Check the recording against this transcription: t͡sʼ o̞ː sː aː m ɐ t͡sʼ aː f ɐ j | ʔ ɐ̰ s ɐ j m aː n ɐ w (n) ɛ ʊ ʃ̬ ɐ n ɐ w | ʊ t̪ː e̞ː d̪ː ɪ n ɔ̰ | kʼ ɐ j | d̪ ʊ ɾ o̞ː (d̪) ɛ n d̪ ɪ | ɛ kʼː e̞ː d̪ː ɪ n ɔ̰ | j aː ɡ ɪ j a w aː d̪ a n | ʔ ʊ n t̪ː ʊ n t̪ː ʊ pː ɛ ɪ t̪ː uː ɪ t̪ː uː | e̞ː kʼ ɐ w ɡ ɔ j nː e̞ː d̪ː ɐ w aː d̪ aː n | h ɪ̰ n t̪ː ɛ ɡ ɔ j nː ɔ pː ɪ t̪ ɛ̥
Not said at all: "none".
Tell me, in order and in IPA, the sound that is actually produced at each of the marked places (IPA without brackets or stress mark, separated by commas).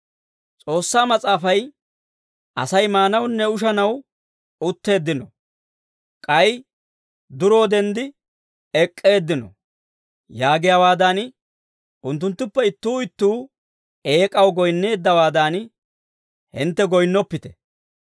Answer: nː, d̪